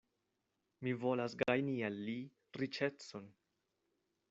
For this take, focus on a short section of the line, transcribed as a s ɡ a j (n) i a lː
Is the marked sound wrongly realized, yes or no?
no